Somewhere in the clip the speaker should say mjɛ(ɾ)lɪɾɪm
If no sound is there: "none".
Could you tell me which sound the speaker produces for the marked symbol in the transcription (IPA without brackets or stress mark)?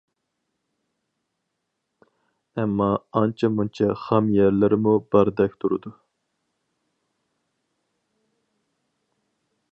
ɾ